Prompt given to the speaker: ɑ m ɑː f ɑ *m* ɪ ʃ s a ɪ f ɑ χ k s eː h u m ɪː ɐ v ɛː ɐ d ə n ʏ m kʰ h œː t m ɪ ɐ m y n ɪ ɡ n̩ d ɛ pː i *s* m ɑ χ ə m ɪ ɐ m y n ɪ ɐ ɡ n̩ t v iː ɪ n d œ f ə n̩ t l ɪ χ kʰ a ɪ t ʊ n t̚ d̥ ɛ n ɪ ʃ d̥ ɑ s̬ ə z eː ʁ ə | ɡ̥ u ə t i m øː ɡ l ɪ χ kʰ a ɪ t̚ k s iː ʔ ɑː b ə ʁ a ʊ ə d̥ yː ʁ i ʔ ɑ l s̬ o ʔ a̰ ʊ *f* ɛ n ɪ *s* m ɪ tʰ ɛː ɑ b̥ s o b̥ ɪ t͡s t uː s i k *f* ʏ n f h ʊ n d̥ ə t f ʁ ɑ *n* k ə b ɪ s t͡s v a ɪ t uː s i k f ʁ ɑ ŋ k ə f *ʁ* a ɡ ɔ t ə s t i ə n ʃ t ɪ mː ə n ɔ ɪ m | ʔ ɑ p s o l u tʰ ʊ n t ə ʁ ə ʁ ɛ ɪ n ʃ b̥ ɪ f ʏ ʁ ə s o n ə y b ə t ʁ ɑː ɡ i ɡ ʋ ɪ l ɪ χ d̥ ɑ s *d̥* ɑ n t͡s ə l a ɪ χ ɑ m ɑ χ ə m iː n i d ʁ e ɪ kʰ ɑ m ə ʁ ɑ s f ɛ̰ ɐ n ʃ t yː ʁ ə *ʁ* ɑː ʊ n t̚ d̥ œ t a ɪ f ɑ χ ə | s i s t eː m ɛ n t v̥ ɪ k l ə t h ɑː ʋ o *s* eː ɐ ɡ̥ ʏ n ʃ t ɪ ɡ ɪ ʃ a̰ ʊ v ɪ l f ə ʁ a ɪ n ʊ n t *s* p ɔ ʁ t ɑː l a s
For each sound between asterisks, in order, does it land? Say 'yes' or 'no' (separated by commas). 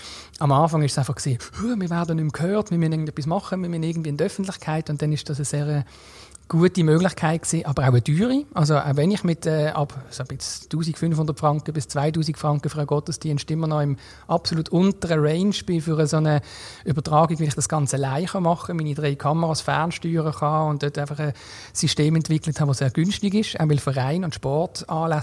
no, yes, no, no, yes, no, yes, no, no, yes, no